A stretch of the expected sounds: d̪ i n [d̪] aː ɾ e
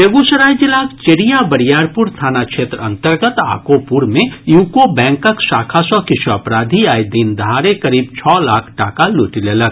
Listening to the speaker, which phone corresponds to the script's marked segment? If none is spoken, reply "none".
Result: d̪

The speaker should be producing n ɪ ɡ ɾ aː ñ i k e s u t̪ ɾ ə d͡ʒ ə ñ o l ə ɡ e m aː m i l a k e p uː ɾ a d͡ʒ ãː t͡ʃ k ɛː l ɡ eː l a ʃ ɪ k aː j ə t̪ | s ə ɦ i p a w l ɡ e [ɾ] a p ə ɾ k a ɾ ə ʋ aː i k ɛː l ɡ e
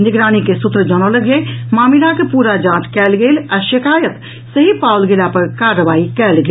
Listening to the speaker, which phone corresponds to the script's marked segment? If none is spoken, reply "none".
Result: l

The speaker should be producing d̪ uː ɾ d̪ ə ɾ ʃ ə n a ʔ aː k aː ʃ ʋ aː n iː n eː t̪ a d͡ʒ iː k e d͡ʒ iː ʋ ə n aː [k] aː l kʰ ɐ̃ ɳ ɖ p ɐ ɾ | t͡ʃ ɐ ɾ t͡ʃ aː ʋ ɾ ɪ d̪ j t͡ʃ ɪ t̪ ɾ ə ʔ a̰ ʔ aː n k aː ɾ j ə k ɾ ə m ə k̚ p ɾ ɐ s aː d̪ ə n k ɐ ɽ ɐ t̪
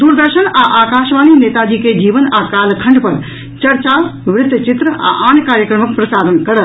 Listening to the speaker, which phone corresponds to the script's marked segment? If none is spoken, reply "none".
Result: k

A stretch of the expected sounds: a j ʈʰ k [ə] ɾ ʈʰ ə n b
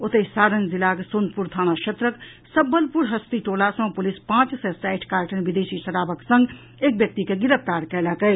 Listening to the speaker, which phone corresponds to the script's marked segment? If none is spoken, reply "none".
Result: a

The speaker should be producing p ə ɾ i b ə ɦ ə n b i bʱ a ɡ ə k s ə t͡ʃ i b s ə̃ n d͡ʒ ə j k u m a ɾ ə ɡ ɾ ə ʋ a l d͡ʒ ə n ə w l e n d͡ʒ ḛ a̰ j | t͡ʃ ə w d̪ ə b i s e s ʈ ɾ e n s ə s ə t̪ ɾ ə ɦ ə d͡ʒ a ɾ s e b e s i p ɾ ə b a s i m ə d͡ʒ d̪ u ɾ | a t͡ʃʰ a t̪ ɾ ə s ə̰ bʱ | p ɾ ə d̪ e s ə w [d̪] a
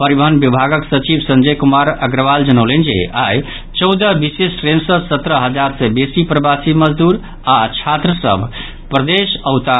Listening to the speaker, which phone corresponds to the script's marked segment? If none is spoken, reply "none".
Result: t̪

